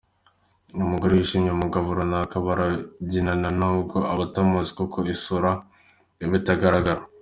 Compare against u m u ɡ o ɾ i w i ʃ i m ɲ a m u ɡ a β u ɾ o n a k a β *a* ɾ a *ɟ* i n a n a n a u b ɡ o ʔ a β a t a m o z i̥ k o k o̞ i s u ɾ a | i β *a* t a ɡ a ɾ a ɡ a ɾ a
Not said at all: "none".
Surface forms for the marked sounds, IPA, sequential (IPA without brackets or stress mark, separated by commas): a, ɟ, i